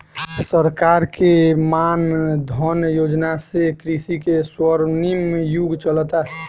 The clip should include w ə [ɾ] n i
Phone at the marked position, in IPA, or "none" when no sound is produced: ɾ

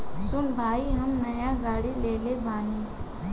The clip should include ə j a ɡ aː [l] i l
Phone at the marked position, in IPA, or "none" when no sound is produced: ɽ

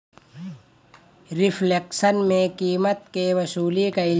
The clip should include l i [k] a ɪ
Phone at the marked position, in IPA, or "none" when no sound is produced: k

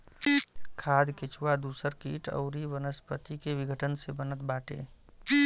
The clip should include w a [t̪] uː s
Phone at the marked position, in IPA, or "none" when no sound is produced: d̪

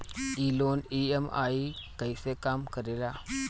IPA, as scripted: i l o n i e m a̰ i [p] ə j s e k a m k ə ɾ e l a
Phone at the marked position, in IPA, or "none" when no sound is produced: k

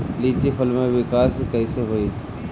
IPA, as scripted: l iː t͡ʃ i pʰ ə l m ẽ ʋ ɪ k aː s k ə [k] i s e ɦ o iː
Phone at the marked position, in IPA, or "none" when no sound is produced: none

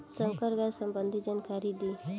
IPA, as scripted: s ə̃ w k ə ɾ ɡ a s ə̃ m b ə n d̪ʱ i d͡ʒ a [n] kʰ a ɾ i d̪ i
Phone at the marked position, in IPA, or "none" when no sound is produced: n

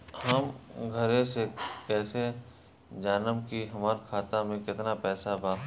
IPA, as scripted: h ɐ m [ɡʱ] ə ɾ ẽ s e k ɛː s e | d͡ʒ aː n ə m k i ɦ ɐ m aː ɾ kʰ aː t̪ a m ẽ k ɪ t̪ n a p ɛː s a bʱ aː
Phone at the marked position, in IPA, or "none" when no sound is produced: ɡʱ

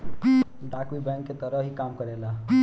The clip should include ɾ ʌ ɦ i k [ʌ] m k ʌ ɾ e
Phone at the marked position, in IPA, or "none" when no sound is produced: a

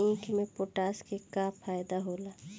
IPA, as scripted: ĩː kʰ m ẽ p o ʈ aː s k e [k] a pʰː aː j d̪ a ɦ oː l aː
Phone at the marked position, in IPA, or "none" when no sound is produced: k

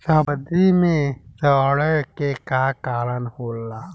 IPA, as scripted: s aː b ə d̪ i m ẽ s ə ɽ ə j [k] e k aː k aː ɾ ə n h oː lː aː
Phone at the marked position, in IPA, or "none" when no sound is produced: k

